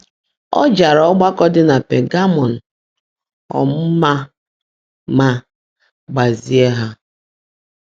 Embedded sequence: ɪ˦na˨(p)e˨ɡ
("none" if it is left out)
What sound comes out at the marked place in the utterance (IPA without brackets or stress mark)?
p